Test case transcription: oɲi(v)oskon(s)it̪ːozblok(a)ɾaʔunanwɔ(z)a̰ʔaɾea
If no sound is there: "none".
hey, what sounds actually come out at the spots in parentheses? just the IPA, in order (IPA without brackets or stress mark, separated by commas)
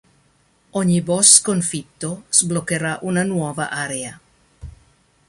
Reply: b, f, e, v